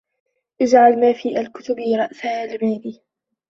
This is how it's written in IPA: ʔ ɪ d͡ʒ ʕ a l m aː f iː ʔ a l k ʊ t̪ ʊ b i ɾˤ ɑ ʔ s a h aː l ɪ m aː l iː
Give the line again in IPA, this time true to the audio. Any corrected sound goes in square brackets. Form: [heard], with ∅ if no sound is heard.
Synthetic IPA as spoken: ʔ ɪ d͡ʒ ʕ a l m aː f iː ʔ a l k ʊ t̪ ʊ b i ɾˤ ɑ ʔ s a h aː l ɪ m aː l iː